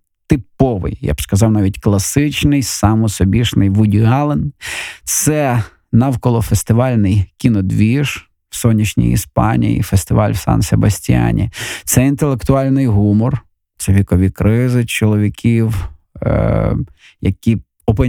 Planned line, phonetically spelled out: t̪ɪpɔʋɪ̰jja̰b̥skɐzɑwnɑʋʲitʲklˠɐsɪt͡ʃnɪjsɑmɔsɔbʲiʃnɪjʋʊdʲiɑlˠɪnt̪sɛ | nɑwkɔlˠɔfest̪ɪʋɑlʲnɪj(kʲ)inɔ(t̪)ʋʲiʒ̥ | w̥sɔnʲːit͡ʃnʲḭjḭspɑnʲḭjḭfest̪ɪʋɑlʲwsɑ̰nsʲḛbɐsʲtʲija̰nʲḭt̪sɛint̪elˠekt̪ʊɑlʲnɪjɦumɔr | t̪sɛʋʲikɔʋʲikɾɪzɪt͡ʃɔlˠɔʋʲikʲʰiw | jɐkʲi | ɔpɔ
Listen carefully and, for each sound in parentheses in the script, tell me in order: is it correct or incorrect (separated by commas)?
correct, incorrect